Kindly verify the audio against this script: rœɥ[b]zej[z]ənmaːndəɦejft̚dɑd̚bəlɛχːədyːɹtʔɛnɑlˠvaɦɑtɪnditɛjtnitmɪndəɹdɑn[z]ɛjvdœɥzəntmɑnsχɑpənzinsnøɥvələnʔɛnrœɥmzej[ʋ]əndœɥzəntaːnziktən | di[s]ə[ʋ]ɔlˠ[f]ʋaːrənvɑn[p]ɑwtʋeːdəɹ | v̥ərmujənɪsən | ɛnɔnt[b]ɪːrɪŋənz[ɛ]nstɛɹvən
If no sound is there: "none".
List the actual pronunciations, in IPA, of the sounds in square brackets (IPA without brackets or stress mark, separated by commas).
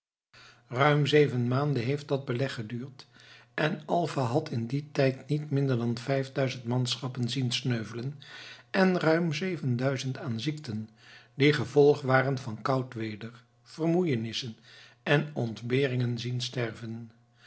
m, v, v, v, χ, v, χ, k, b, i